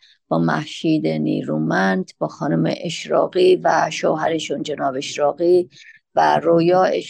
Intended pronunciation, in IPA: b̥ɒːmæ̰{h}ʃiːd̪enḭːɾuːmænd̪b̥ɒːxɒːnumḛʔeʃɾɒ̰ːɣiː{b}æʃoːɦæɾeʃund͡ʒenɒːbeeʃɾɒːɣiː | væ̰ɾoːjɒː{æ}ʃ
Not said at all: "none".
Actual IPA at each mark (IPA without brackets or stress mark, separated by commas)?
h, v, e